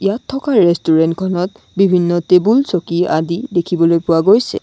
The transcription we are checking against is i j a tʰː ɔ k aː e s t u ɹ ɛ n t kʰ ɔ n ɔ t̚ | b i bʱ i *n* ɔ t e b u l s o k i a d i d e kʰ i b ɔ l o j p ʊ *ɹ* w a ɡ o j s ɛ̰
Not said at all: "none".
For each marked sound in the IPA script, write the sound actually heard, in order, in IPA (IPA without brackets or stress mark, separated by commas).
nː, none